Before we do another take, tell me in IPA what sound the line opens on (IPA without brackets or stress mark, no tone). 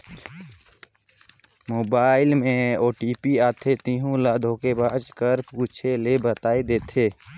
m